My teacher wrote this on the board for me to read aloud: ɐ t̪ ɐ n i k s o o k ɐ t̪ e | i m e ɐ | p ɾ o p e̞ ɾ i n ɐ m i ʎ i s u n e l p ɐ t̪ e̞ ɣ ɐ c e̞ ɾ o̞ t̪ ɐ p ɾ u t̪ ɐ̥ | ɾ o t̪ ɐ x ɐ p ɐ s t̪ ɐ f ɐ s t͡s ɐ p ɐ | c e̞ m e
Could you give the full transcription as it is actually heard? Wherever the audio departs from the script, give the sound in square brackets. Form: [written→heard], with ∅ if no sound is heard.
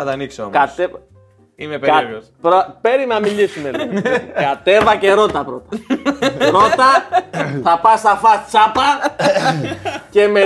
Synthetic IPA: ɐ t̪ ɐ n i k s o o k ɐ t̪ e | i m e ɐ | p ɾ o p e̞ ɾ i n ɐ m i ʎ i s u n e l [p→k] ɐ t̪ e̞ [ɣ→v] ɐ c e̞ ɾ o̞ t̪ ɐ p ɾ [u→o] t̪ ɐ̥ | ɾ o t̪ ɐ [x→θ] ɐ p ɐ s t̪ ɐ f ɐ s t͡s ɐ p ɐ | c e̞ m e